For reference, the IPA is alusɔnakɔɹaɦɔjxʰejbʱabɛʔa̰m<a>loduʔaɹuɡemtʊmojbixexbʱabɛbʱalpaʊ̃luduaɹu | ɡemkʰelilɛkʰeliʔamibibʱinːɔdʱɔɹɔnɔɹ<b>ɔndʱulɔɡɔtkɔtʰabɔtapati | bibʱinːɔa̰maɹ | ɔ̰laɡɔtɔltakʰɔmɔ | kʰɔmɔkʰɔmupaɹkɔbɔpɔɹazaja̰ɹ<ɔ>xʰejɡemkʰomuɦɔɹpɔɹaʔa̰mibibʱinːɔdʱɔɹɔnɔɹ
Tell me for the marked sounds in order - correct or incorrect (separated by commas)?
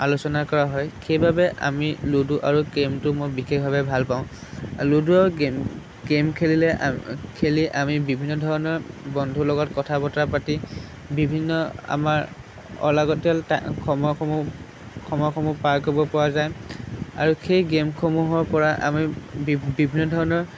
incorrect, correct, incorrect